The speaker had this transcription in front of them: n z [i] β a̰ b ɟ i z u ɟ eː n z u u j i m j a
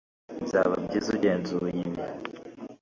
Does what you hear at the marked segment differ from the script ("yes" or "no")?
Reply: yes